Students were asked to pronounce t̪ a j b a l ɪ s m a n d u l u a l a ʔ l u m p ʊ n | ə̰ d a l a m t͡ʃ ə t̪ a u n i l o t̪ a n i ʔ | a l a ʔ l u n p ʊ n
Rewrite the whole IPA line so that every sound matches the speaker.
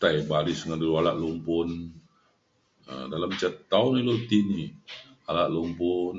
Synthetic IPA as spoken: t̪ a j b a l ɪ s ŋ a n d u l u a l a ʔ l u m p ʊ n | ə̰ d a l a m t͡ʃ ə t̪ a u n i l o t̪ i n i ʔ | a l a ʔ l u m p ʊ n